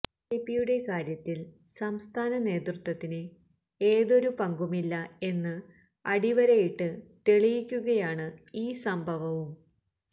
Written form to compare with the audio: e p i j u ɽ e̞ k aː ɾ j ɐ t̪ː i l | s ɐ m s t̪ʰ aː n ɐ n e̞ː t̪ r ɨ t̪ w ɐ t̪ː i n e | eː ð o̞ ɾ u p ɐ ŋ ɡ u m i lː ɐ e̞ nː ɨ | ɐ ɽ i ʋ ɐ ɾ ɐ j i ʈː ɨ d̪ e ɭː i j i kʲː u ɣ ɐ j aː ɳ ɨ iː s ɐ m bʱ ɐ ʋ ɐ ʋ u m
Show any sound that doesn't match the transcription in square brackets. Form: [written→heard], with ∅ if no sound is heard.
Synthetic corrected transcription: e p i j u ɽ e̞ k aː ɾ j ɐ t̪ː i l | s ɐ m s t̪ʰ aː n ɐ n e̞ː t̪ r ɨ t̪ w ɐ t̪ː i n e | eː ð o̞ ɾ u p ɐ ŋ ɡ u m i lː ɐ e̞ nː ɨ | ɐ ɽ i ʋ ɐ ɾ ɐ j i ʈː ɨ [d̪→t̪] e [ɭː→ɭ] i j i kʲː u ɣ ɐ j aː ɳ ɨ iː s ɐ m bʱ ɐ ʋ ɐ ʋ u m